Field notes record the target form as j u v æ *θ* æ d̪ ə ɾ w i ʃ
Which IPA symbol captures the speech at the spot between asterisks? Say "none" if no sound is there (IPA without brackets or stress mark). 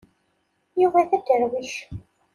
θ